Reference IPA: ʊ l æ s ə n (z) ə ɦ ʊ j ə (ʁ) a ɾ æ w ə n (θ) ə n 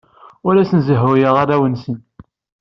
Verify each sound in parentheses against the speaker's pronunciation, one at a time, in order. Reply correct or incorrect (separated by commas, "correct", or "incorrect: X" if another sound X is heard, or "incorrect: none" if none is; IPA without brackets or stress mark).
correct, correct, incorrect: s